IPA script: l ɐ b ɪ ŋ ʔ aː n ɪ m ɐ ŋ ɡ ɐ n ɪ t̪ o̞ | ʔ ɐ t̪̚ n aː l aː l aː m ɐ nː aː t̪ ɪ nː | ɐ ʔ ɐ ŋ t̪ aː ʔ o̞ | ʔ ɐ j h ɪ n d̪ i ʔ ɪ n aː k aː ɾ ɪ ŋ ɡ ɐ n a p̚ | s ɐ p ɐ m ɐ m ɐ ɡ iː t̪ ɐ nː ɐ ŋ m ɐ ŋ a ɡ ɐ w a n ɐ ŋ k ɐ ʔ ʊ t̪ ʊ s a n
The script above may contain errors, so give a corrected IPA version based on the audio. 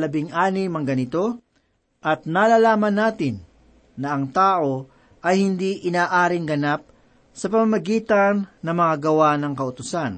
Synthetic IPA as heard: l ɐ b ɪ ŋ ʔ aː n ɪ m ɐ ŋ ɡ ɐ n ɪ t̪ o̞ | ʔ ɐ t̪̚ n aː l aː l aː m ɐ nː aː t̪ ɪ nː | ɐ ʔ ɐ ŋ t̪ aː ʔ o̞ | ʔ ɐ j h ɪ n d̪ i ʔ ɪ n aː ʔ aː ɾ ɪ ŋ ɡ ɐ n a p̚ | s ɐ p ɐ m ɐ m ɐ ɡ iː t̪ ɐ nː ɐ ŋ m ɐ ŋ a ɡ ɐ w a n ɐ ŋ k ɐ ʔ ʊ t̪ ʊ s a n